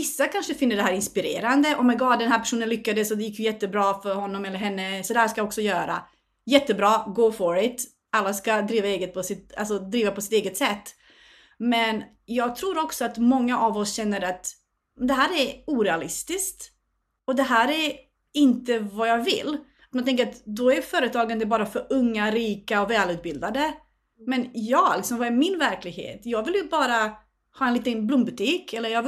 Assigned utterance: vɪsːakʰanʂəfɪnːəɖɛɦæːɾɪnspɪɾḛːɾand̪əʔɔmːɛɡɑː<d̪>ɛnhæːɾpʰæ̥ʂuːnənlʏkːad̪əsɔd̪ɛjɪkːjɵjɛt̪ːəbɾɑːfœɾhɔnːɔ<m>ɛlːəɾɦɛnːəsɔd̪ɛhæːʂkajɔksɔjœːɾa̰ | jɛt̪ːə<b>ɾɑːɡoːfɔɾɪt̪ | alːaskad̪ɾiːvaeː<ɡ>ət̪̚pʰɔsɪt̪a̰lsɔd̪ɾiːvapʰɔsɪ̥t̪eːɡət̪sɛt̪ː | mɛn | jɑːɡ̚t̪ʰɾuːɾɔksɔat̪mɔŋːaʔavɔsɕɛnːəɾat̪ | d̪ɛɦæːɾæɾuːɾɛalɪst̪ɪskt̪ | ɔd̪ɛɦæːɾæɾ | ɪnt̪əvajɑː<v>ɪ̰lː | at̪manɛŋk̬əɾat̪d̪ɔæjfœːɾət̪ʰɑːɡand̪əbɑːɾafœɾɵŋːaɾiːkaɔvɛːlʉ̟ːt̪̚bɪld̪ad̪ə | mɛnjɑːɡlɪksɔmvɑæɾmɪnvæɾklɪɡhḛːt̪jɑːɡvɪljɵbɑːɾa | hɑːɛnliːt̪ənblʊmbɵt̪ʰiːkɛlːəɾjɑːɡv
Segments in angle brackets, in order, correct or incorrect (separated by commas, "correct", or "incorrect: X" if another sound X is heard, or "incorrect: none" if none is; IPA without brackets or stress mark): correct, correct, correct, correct, correct